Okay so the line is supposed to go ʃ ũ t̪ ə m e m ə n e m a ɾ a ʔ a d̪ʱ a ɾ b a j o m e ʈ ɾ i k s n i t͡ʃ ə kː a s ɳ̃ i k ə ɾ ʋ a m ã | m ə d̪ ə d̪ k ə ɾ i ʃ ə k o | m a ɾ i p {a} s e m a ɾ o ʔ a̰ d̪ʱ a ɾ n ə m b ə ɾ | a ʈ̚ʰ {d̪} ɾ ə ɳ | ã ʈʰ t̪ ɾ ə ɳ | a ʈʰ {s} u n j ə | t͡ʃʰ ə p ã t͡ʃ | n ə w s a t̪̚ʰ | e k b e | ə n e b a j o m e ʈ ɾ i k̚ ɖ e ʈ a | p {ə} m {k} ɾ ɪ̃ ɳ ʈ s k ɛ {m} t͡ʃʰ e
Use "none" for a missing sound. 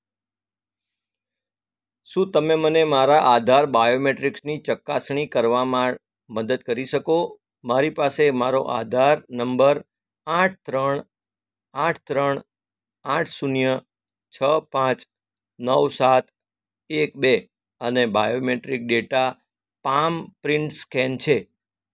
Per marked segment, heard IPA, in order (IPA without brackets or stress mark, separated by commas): a, t̪, s, a, p, n